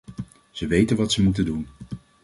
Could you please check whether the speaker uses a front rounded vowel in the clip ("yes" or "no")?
no